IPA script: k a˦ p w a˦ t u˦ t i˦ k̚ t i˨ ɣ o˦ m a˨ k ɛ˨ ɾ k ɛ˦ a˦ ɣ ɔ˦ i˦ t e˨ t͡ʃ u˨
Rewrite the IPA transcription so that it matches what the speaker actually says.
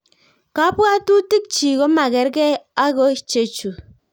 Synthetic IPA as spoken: k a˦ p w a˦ t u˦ t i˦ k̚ t͡ʃ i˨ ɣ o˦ m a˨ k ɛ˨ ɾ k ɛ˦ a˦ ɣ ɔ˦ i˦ t͡ʃ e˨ t͡ʃ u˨

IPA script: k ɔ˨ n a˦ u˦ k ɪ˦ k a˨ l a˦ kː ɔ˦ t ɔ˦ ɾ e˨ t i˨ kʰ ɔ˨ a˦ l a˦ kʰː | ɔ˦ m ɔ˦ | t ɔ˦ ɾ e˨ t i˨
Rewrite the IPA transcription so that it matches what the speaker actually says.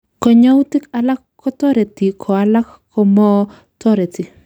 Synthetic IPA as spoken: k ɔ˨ ɲ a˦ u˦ t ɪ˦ k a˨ l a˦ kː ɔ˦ t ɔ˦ ɾ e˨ t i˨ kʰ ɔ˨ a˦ l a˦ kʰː | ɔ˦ m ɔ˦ | t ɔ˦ ɾ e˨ t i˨

